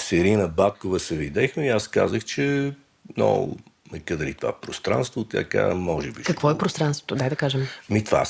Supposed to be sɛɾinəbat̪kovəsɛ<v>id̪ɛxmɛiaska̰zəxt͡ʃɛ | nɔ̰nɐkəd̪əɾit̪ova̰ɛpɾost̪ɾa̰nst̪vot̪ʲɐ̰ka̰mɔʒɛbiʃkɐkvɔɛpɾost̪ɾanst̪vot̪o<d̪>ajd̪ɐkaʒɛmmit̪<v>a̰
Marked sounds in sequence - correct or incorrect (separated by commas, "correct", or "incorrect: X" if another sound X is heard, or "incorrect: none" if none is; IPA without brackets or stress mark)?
correct, correct, correct